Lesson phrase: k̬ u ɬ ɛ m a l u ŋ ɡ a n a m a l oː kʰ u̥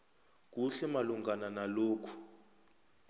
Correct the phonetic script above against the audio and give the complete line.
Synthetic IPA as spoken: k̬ u ɬ ɛ m a l u ŋ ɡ a n a n a l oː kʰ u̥